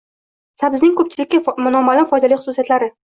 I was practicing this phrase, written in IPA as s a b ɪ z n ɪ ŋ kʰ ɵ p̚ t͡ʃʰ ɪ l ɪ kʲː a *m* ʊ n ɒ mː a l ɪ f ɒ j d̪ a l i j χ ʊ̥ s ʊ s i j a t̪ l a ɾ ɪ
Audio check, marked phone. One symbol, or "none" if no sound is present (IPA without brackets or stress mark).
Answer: m